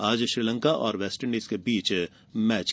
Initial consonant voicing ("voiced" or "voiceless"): voiced